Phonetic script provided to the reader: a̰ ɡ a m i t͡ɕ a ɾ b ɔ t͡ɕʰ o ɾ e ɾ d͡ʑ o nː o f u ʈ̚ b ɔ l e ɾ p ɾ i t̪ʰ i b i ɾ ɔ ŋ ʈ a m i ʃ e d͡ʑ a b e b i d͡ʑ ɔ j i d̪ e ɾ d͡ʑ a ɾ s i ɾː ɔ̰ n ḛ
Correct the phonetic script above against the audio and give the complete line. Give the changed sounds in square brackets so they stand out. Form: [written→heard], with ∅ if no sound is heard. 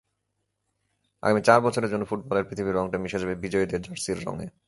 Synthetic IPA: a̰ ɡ a m i t͡ɕ a ɾ b ɔ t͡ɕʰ o ɾ e ɾ d͡ʑ o nː o f u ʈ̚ b ɔ l e ɾ p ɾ i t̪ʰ i b i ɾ ɔ ŋ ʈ a m i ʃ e d͡ʑ a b e b i d͡ʑ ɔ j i d̪ e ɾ d͡ʑ a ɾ s i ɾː ɔ̰ [n→ŋ] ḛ